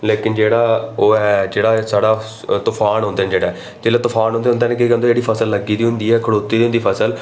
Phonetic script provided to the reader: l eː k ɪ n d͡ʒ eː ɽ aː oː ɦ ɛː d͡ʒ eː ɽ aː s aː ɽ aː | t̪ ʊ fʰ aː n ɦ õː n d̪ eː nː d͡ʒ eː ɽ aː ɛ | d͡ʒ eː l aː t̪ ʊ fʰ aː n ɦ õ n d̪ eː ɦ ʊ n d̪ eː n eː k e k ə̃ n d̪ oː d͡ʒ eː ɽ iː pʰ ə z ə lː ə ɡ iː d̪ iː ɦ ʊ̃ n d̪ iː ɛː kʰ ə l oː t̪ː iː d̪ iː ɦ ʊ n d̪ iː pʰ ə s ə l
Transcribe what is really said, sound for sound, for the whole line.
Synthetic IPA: l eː k ɪ n d͡ʒ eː ɽ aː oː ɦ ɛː d͡ʒ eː ɽ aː s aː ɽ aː | t̪ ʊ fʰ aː n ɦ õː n d̪ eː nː d͡ʒ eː ɽ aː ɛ | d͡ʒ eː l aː t̪ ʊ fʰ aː n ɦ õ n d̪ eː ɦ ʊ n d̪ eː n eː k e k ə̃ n d̪ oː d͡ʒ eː ɽ iː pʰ ə s ə lː ə ɡ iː d̪ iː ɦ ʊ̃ n d̪ iː ɛː kʰ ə ɽ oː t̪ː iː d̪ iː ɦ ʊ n d̪ iː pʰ ə s ə l